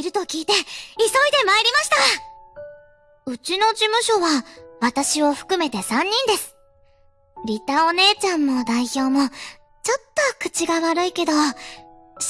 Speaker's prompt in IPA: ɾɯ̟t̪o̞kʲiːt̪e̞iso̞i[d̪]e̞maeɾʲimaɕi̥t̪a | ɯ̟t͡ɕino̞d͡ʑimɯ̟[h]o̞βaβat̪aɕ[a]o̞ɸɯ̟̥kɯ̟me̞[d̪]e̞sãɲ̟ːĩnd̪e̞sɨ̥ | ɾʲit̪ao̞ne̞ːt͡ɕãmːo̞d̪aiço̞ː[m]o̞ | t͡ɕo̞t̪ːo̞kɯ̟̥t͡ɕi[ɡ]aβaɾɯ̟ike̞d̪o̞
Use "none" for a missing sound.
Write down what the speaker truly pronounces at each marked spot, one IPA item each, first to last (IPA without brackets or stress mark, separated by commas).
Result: d̪, ɕ, i, t̪, m, ɡ